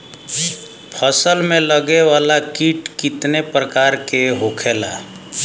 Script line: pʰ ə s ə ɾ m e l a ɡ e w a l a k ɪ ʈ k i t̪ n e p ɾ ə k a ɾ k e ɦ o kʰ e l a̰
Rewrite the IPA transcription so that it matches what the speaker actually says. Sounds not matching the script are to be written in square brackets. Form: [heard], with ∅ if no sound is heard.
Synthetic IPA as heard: pʰ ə s ə [l] m e l [ə] ɡ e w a l a k [i] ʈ k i t̪ n e p ɾ ə k a ɾ k e ɦ o kʰ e l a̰